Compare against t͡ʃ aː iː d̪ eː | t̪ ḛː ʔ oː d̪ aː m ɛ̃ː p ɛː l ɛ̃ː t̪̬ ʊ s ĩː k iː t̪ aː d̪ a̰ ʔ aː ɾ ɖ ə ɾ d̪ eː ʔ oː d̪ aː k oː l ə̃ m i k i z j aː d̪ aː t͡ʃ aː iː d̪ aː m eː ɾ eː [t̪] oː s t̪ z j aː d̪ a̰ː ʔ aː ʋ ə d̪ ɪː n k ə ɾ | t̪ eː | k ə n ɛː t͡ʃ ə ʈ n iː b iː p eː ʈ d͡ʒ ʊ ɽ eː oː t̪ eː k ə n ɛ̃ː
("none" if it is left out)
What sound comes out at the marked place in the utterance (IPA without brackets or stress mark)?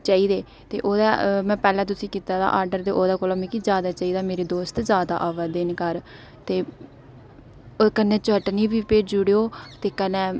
d̪